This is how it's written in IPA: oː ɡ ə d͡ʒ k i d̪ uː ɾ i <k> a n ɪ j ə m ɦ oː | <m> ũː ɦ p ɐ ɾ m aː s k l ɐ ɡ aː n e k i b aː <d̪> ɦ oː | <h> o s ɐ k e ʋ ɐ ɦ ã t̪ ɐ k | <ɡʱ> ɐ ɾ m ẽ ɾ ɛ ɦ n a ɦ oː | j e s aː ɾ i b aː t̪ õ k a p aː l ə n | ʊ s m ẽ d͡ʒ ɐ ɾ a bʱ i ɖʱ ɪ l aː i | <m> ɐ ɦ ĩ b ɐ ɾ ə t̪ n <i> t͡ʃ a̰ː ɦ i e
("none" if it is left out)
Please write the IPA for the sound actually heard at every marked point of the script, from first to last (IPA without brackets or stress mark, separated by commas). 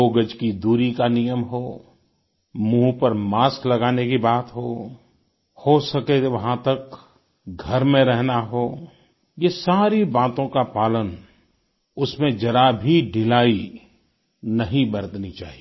k, m, t̪, h, ɡʱ, n, i